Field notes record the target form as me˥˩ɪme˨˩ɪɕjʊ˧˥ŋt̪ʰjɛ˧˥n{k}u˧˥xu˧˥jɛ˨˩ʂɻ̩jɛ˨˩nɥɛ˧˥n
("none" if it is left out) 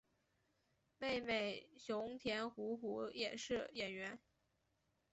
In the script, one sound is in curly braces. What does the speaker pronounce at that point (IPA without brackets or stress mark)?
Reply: x